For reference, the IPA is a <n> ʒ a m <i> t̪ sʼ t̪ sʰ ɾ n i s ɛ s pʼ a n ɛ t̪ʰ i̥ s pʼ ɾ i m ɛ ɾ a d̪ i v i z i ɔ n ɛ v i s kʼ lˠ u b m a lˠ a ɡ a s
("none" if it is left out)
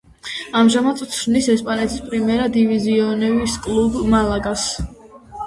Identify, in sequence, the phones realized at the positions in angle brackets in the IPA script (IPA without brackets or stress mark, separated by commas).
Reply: m, a